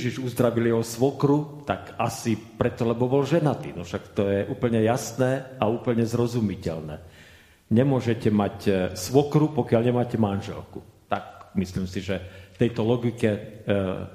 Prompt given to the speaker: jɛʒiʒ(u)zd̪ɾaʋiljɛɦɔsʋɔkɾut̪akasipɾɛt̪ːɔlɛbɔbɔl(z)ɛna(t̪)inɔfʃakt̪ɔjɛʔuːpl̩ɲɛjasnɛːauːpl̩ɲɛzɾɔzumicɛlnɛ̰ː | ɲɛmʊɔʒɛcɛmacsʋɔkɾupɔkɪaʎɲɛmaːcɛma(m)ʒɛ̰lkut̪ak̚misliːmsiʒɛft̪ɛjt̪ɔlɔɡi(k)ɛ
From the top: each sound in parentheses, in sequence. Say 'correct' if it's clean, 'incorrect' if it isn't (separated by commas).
correct, incorrect, correct, incorrect, correct